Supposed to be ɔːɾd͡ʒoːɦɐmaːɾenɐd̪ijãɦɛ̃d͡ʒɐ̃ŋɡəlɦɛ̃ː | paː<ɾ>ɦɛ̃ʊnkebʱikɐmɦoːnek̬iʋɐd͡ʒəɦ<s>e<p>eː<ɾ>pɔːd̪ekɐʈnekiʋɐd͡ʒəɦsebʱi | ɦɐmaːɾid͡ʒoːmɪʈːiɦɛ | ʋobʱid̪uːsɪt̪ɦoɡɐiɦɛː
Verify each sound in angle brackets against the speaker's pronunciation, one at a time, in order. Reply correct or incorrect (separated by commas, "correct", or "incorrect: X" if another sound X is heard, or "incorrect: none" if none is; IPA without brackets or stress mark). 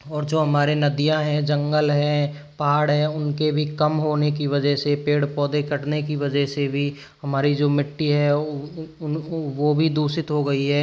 incorrect: ɽ, correct, correct, incorrect: ɽ